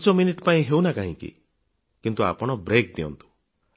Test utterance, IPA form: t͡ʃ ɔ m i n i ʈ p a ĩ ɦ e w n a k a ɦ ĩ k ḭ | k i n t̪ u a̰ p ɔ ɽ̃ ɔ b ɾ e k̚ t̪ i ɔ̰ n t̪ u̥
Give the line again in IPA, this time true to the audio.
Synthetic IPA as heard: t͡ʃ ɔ m i n i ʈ p a ĩ ɦ e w n a k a ɦ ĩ k ḭ | k i n t̪ u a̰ p ɔ ɽ̃ ɔ b ɾ e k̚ d̪ i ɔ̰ n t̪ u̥